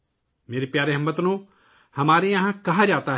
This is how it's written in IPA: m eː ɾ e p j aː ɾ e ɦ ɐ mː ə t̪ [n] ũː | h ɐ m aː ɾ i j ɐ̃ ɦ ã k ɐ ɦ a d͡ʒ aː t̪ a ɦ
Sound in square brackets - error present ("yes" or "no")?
no